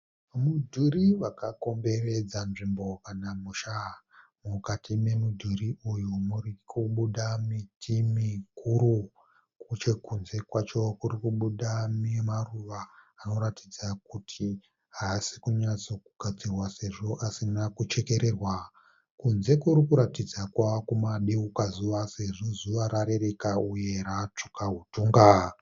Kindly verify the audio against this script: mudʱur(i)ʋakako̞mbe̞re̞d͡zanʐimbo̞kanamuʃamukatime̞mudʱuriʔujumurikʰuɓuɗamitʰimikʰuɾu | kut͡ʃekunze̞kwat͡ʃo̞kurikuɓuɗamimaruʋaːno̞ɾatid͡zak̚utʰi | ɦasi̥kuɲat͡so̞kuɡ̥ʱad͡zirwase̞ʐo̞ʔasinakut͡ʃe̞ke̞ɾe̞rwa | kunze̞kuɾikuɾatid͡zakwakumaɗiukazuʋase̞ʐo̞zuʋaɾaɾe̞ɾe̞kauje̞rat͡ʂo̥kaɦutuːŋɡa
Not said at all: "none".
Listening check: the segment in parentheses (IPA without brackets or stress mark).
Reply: i